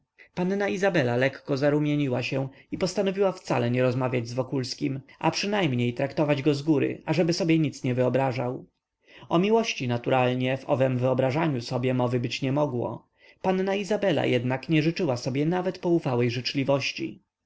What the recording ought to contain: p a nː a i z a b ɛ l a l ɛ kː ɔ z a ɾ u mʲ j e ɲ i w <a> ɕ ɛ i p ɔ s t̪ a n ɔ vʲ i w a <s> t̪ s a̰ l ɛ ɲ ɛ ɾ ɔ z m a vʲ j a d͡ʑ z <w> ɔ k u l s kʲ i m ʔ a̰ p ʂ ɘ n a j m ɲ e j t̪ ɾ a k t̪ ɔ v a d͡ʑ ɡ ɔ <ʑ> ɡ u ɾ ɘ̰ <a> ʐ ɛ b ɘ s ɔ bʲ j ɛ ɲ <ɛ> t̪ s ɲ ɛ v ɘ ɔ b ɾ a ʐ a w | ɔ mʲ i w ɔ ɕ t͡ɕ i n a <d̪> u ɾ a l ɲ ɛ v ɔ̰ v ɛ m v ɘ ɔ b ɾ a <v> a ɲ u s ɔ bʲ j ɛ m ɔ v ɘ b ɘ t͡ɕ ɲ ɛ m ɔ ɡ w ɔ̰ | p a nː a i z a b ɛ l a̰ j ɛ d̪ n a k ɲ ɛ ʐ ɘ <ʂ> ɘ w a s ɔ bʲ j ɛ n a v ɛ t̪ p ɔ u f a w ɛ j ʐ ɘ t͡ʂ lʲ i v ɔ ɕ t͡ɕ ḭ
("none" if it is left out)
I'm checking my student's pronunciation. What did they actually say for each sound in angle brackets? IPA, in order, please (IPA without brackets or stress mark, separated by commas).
a, f, v, z, a, i, t̪, ʐ, t͡ʂ